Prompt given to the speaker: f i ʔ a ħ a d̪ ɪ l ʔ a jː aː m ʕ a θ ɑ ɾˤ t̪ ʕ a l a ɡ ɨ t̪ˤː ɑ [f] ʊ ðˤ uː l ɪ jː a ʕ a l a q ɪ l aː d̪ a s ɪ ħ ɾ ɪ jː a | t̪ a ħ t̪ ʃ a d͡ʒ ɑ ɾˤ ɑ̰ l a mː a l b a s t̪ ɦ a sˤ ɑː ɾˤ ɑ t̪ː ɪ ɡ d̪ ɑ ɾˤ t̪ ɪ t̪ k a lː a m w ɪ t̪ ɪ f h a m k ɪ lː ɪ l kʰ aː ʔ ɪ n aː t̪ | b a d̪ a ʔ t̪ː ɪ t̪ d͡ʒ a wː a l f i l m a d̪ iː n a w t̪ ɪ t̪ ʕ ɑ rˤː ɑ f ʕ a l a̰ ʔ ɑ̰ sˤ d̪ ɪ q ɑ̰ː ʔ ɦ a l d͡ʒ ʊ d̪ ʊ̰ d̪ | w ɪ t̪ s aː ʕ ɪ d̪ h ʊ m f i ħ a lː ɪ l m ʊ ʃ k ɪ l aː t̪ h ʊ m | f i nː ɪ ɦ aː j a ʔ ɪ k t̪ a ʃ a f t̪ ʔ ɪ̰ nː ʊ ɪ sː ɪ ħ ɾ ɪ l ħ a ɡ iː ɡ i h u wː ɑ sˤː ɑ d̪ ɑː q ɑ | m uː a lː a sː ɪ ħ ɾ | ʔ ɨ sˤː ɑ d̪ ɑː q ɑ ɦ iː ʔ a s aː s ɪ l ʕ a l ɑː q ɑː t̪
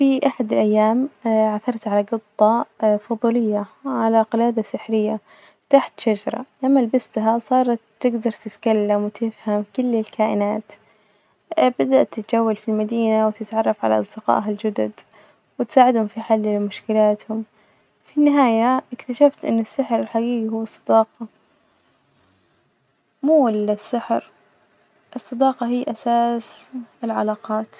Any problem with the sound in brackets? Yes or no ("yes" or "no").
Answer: no